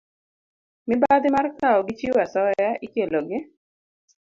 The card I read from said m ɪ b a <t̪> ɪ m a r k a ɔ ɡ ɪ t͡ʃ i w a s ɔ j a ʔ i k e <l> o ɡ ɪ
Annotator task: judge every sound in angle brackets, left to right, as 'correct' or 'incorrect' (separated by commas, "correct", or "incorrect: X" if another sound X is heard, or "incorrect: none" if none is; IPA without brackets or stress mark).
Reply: incorrect: d̪, correct